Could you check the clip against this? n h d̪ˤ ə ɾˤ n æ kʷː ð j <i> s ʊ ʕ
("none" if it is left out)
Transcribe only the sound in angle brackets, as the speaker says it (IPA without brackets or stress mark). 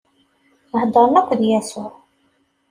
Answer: æ